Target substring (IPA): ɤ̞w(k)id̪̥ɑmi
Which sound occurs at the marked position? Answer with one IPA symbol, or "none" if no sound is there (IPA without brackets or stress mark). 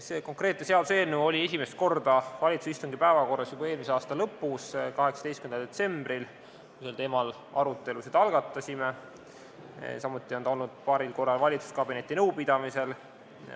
p